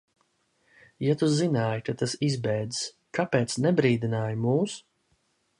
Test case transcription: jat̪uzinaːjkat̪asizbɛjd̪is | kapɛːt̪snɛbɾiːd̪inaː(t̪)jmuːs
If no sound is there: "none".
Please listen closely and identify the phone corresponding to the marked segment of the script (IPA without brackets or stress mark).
none